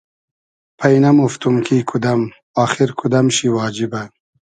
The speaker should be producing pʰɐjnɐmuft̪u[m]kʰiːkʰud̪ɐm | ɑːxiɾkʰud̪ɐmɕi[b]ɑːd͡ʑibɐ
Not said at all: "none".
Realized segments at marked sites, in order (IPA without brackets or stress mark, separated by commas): m, w